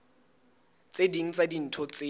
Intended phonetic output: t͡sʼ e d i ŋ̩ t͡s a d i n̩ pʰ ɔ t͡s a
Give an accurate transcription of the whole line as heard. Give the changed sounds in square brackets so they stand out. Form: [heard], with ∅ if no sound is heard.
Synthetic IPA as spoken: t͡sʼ e d i ŋ̩ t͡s a d i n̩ [tʰ] ɔ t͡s [e]